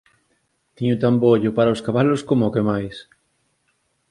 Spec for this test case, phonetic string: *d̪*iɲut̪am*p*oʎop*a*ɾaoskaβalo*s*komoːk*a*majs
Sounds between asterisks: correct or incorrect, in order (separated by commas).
incorrect, incorrect, correct, correct, incorrect